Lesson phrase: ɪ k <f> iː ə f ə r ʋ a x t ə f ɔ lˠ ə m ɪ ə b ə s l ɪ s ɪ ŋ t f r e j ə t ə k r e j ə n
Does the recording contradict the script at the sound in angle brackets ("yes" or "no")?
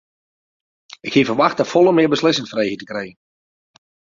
yes